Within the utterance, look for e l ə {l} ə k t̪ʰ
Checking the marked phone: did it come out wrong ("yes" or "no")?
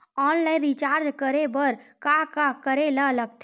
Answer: no